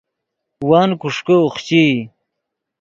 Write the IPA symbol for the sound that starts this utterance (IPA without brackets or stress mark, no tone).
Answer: w